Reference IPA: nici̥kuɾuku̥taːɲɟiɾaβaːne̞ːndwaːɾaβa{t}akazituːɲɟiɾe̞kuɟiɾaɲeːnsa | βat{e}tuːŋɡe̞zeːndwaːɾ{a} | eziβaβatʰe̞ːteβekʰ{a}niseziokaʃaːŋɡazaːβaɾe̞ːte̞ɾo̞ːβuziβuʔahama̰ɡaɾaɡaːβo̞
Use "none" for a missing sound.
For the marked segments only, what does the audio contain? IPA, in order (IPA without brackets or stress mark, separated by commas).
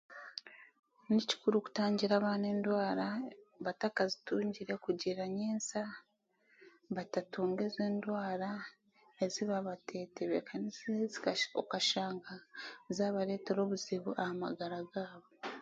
t, a, a, a